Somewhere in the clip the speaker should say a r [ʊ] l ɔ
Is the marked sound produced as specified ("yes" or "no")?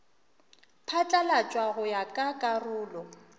no